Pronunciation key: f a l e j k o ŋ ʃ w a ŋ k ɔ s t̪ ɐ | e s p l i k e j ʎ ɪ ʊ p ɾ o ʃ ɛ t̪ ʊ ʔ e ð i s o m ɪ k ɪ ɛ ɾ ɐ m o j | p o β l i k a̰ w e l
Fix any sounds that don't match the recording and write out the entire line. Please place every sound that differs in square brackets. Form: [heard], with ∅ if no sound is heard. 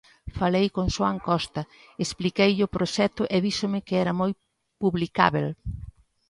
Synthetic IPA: f a l e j k o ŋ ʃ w a ŋ k ɔ s t̪ ɐ | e s p l i k e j ʎ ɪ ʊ p ɾ o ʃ ɛ t̪ ʊ ʔ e ð i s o m ɪ k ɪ ɛ ɾ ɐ m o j | p [u] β l i k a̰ [β] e l